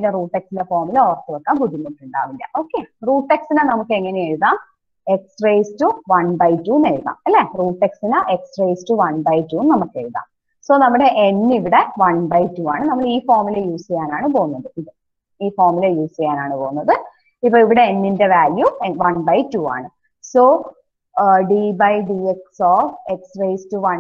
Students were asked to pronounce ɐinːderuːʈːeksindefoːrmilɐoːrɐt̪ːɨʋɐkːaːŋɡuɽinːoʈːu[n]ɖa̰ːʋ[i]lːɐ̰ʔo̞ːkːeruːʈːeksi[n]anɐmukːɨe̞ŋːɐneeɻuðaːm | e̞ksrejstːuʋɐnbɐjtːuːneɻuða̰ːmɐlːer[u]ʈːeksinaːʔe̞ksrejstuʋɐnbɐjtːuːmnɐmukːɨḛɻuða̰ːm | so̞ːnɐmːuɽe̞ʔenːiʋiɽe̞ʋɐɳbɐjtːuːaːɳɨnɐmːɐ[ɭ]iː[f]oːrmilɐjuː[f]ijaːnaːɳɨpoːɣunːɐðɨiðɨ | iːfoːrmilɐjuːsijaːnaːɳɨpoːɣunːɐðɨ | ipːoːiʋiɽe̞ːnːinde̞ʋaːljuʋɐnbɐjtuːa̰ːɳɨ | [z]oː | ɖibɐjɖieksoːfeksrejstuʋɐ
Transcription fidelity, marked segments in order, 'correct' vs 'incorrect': incorrect: ɳ, correct, correct, incorrect: uː, correct, correct, incorrect: s, incorrect: s

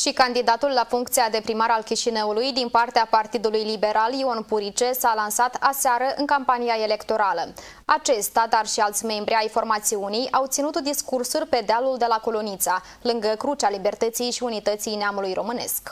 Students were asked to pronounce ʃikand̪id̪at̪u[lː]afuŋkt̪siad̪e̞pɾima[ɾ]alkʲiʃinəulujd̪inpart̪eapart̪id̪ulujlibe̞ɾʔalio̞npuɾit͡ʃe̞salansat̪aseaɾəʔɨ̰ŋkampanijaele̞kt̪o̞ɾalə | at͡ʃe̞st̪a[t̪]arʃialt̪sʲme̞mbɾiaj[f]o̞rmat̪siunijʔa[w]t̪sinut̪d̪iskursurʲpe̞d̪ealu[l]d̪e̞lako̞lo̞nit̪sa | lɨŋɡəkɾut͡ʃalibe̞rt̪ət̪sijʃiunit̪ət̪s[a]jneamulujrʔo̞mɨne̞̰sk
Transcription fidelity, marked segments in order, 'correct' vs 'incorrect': correct, correct, incorrect: d̪, correct, correct, correct, incorrect: i

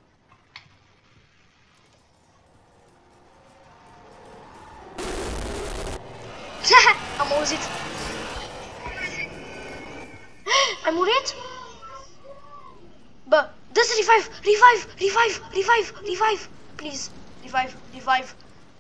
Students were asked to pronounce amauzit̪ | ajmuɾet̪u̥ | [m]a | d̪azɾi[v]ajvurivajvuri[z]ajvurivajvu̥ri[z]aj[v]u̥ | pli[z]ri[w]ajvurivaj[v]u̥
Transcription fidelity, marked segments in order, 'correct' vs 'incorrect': incorrect: b, correct, incorrect: v, incorrect: v, correct, correct, incorrect: v, correct

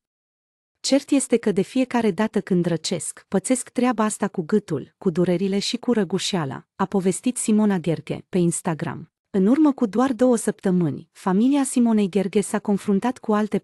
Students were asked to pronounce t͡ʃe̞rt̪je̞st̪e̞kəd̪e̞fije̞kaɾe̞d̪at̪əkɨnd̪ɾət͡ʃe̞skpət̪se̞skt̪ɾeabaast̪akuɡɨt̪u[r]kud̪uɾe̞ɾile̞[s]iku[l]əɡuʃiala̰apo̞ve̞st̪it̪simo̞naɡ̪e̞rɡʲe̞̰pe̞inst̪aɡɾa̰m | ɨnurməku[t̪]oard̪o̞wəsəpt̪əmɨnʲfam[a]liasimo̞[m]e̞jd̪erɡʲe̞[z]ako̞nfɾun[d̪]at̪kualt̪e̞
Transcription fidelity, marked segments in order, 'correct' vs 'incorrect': incorrect: l, incorrect: ʃ, incorrect: ɾ, incorrect: d̪, incorrect: i, incorrect: n, incorrect: s, incorrect: t̪

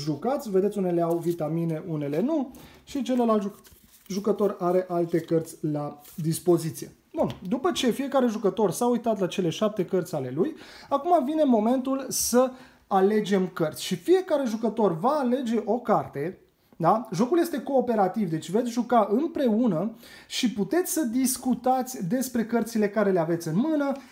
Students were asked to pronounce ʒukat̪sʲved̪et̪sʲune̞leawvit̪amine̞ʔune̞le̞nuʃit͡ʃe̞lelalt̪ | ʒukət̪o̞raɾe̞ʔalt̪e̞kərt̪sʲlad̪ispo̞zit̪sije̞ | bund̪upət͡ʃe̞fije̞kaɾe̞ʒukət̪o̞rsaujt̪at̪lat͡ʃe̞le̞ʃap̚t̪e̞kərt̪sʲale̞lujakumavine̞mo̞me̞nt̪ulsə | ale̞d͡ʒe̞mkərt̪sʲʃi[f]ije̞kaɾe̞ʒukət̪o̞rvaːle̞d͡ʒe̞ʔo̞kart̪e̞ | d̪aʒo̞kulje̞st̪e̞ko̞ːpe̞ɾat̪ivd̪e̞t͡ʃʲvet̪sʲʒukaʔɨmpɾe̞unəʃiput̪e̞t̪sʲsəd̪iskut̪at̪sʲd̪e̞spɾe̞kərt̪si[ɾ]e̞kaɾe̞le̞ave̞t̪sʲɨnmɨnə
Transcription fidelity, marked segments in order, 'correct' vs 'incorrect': correct, incorrect: l

